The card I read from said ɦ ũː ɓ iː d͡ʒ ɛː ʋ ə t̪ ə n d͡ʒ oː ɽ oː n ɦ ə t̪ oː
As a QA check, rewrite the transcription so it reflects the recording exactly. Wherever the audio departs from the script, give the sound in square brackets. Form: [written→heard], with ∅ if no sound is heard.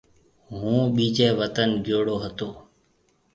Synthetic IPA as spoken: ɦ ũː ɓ iː d͡ʒ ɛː ʋ ə t̪ ə n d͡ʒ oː ɽ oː [n→∅] ɦ ə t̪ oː